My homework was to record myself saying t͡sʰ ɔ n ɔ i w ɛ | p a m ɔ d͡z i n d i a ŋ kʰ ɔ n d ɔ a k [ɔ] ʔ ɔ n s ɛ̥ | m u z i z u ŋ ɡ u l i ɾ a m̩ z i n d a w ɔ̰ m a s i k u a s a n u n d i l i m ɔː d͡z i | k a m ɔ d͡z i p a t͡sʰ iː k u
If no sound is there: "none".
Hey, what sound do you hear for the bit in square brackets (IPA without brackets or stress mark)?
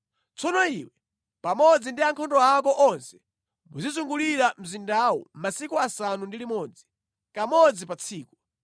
ɔ